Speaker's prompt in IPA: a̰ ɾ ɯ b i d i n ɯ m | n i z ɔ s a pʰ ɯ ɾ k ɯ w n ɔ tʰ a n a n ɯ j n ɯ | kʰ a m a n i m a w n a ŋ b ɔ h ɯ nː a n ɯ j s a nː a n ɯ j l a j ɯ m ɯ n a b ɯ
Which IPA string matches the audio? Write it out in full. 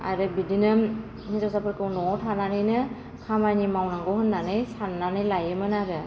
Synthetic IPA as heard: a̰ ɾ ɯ b i d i n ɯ m | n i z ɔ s a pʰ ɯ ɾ k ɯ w n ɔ tʰ a n a n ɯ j n ɯ | kʰ a m a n i m a w n a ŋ ɡ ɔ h ɯ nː a n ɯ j s a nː a n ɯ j l a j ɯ m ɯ n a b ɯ

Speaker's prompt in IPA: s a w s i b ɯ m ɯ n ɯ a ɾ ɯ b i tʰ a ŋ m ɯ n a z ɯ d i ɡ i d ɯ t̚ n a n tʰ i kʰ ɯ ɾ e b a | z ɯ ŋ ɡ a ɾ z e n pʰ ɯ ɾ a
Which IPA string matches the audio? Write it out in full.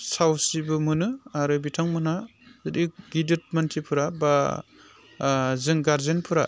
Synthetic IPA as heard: s a w s i b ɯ m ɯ n ɯ a ɾ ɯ b i tʰ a ŋ m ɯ n a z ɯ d i ɡ i d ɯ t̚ m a n tʰ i pʰ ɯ ɾ a b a | z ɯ ŋ ɡ a ɾ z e n pʰ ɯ ɾ a

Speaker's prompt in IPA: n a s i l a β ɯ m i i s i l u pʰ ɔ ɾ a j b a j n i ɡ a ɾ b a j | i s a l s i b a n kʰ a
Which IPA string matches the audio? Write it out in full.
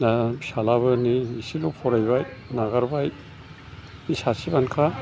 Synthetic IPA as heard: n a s a l a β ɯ n i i s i l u pʰ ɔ ɾ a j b a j n a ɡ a ɾ b a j | i s a s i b a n kʰ a

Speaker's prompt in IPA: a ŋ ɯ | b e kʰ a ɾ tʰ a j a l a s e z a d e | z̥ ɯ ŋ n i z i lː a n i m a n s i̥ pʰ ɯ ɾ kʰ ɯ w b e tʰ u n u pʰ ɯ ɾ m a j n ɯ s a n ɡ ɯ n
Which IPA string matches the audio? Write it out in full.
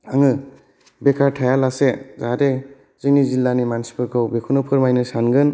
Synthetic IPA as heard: a ŋ ɯ | b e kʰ a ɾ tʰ a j a l a s e z a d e | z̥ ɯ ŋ n i z i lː a n i m a n s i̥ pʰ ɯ ɾ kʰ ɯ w b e kʰ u n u pʰ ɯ ɾ m a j n ɯ s a n ɡ ɯ n

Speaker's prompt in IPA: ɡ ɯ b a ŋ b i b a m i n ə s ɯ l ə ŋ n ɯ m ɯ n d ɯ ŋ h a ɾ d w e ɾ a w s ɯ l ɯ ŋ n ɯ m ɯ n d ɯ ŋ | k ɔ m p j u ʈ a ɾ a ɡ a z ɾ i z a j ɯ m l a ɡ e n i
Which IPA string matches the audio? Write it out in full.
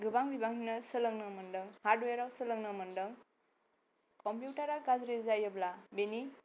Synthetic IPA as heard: ɡ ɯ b a ŋ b i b a ŋ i n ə s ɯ l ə ŋ n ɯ m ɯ n d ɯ ŋ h a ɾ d w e ɾ a w s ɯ l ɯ ŋ n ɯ m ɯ n d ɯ ŋ | k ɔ m p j u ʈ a ɾ a ɡ a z ɾ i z a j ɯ b l a b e n i

